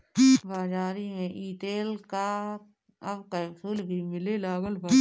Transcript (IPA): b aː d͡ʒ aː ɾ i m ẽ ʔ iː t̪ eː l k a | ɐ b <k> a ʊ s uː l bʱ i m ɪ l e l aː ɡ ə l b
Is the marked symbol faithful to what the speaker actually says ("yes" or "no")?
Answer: yes